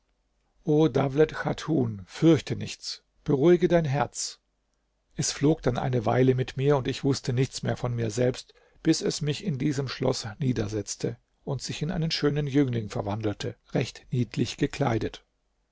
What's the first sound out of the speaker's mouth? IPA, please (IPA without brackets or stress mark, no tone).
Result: ʔ